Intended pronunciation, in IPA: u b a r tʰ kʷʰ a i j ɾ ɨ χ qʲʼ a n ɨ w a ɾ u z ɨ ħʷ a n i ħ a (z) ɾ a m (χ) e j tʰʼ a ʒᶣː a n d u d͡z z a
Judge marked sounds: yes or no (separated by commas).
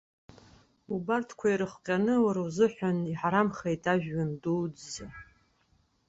no, yes